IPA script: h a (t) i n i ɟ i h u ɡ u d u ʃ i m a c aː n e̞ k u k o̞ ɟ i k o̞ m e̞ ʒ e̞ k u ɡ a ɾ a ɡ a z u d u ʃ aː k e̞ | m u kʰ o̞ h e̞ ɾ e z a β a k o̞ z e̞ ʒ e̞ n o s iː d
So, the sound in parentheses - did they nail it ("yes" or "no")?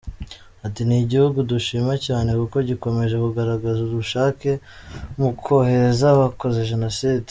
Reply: yes